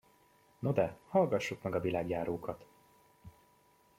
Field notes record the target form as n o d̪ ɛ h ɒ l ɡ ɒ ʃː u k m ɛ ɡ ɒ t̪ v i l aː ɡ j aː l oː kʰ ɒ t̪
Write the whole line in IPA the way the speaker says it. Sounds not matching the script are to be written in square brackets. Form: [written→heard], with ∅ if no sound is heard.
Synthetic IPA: n o d̪ ɛ h ɒ l ɡ ɒ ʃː u k m ɛ ɡ ɒ [t̪→∅] v i l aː ɡ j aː [l→ɾ] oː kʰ ɒ t̪